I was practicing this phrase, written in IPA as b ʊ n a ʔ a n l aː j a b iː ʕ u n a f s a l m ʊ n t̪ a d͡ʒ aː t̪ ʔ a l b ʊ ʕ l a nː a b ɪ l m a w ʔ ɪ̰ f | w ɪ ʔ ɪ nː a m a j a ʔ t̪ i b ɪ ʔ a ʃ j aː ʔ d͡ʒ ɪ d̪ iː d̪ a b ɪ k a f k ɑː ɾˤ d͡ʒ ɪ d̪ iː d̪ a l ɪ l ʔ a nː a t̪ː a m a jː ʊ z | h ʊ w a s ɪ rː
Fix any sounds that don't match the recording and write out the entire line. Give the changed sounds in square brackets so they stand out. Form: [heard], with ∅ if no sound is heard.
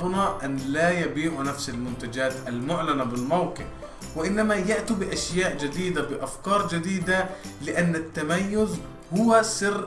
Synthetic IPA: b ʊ n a ʔ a n l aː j a b iː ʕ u n a f s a l m ʊ n t̪ a d͡ʒ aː t̪ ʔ a l [m] ʊ ʕ l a [n] a b ɪ l m a w [q] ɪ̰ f | w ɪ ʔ ɪ nː a m a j a ʔ t̪ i b ɪ ʔ a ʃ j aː ʔ d͡ʒ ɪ d̪ iː d̪ a b ɪ [ʔ] a f k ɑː ɾˤ d͡ʒ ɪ d̪ iː d̪ a l ɪ [∅] ʔ a nː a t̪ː a m a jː ʊ z | h ʊ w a s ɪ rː

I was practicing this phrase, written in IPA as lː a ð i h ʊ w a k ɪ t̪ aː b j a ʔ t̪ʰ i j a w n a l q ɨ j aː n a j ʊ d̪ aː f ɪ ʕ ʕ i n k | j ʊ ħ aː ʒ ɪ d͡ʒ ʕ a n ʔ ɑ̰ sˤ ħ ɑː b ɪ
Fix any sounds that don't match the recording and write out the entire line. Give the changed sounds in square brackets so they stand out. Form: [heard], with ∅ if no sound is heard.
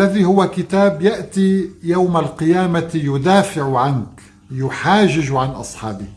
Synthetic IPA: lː a ð i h ʊ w a k ɪ t̪ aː b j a ʔ [t̪] i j a w [m] a l q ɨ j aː [m] a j ʊ d̪ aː f ɪ ʕ ʕ [a] n k | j ʊ ħ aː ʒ ɪ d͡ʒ ʕ a n ʔ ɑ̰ sˤ ħ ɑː b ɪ

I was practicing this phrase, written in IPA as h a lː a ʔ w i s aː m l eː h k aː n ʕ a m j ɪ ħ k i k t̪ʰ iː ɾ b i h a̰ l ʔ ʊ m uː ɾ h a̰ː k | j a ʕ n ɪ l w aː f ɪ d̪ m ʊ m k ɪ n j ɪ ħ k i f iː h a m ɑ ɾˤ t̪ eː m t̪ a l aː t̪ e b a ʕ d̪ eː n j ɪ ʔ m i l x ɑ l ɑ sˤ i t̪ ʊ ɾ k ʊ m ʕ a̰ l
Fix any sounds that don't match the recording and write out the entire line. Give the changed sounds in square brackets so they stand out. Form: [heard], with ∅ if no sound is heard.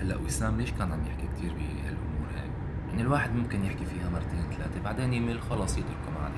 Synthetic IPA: h a lː a ʔ w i s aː m l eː [ʃ] k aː n ʕ a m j ɪ ħ k i k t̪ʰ iː ɾ b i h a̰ l ʔ ʊ m uː ɾ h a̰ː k | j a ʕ n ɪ l w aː [ħ] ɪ d̪ m ʊ m k ɪ n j ɪ ħ k i f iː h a m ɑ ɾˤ t̪ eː [n] t̪ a l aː t̪ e b a ʕ d̪ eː n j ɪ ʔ m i l x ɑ l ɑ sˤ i t̪ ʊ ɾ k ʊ m ʕ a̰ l

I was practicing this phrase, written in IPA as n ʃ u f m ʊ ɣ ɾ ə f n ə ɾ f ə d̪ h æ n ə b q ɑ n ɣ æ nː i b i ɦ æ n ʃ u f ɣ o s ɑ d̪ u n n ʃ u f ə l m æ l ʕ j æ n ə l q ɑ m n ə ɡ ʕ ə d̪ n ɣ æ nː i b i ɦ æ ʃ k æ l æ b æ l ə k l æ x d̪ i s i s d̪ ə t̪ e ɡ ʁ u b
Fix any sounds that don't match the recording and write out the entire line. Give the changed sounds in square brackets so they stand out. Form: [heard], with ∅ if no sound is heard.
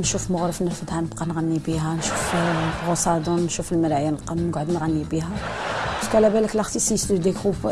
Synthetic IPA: n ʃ u f m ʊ ɣ ɾ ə f n ə ɾ f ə d̪ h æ n ə b q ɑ n ɣ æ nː i b i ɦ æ n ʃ u f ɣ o s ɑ d̪ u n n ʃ u f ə l m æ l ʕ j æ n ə l q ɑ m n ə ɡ ʕ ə d̪ n ɣ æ nː i b i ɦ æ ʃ k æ l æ b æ l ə k l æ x [t̪] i s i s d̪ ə [d̪] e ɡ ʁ u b

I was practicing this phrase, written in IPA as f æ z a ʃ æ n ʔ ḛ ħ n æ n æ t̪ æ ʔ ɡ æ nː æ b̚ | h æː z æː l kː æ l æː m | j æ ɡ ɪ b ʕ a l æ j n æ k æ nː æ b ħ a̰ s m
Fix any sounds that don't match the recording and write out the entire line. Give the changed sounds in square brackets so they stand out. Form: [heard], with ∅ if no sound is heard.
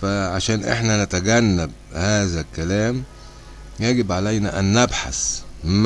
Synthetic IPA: f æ [ʕ] a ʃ [æː] n ʔ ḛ ħ n æ n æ t̪ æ [∅] ɡ æ nː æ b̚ | h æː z [æ] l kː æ l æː m | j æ ɡ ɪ b ʕ a l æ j n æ [ʔ] æ nː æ b ħ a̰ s m

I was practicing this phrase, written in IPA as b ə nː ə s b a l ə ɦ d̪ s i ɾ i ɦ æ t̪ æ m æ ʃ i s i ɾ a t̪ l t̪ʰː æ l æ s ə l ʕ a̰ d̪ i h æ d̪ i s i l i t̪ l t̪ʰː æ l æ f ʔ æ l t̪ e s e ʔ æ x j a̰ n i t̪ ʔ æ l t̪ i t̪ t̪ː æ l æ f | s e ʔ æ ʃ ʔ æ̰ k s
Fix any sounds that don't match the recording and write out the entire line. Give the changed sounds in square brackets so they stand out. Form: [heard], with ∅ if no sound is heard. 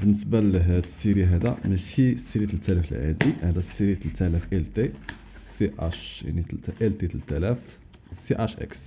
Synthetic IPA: b ə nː ə s b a l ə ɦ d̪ s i ɾ i ɦ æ [d̪] æ m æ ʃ i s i ɾ [i] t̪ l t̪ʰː æ l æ [f] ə l ʕ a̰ d̪ i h æ d̪ [æ] s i [ɾ] i t̪ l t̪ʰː æ l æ f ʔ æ l t̪ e s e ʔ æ [ʃ] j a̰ n i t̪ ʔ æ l t̪ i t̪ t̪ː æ l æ f | s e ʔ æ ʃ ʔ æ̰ k s

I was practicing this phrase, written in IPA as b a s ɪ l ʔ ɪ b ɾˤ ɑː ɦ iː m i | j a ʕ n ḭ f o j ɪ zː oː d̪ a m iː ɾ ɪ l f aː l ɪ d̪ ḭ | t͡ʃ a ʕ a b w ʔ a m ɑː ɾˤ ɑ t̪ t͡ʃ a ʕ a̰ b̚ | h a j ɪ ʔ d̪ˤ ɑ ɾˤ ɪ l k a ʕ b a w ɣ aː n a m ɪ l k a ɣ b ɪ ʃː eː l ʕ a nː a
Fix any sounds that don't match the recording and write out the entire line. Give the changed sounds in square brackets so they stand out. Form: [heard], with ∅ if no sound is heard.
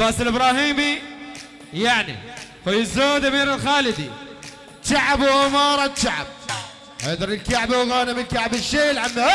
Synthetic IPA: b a s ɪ l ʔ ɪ b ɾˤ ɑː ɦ iː m i | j a ʕ n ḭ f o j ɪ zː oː d̪ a m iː ɾ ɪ l [x] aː l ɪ d̪ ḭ | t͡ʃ a ʕ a b w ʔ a m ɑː ɾˤ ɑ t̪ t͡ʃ a ʕ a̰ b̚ | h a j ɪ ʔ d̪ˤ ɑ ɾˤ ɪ l k a ʕ b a w ɣ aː n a m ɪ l k a [ʕ] b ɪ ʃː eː l ʕ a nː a

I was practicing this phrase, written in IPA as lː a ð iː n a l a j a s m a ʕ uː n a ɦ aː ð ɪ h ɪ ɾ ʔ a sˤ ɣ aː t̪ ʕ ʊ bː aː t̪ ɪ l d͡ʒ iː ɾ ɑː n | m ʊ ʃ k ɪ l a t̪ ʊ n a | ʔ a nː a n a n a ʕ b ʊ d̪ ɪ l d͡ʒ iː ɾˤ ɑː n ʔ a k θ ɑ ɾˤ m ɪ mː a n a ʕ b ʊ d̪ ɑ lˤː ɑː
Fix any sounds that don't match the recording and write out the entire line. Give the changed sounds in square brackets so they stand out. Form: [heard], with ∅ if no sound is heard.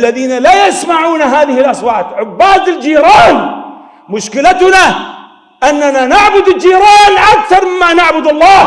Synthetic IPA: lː a ð iː n a l a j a s m a ʕ uː n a ɦ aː ð ɪ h ɪ [l] ʔ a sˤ [w] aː t̪ ʕ ʊ bː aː [d̪] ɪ l d͡ʒ iː ɾ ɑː n | m ʊ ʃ k ɪ l a t̪ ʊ n a | ʔ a nː a n a n a ʕ b ʊ d̪ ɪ l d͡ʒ iː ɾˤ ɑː n ʔ a k θ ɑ ɾˤ m ɪ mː a n a ʕ b ʊ d̪ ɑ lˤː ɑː

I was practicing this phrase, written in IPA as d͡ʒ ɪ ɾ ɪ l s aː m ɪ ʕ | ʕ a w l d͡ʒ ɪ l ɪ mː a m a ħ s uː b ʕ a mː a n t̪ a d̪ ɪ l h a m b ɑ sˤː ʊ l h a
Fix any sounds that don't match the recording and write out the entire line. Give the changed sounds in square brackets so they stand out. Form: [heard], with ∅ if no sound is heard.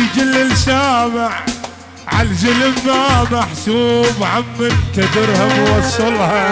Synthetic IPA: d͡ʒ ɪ [l] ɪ l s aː m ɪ ʕ | ʕ a [∅] l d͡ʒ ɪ l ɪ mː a m a ħ s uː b ʕ a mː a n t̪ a d̪ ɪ [ɾ] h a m [w] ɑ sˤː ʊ l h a

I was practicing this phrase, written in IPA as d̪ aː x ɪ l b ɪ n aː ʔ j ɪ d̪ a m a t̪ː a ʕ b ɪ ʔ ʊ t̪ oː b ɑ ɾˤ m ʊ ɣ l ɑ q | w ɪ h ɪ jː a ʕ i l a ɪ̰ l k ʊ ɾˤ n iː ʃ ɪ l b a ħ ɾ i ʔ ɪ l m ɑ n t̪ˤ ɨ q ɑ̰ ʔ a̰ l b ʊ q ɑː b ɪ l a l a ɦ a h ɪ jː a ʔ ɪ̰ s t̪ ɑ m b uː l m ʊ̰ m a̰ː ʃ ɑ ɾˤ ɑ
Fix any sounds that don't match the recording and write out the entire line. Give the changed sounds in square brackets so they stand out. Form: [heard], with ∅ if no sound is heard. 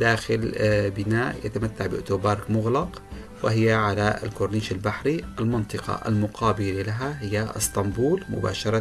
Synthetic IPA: d̪ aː x ɪ l b ɪ n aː ʔ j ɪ [t̪] a m a t̪ː a ʕ b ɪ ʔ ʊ t̪ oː b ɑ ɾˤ m ʊ ɣ l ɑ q | w ɪ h ɪ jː a ʕ [a] l a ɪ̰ l k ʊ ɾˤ n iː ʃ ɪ l b a ħ ɾ i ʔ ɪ l m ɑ n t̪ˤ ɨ q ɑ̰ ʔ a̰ l [m] ʊ q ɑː b ɪ l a l a ɦ a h ɪ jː a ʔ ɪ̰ s t̪ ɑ m b uː l m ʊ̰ [b] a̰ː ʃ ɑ ɾˤ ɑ

